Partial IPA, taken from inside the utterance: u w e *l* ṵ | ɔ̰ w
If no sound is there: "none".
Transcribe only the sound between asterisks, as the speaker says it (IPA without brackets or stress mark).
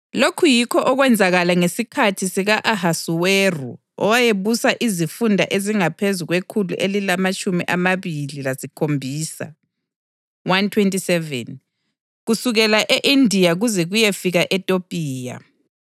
r